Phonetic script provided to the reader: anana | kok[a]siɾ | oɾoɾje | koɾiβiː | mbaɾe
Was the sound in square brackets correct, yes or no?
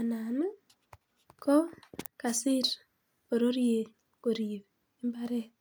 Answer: yes